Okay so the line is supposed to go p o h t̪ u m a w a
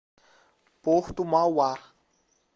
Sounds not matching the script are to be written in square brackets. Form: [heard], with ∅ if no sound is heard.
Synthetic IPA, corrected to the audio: p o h t̪ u m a w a